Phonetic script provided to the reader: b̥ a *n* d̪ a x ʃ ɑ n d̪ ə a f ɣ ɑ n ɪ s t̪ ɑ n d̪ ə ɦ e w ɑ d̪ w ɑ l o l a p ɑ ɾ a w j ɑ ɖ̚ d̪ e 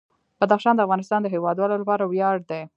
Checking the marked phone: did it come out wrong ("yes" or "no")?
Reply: yes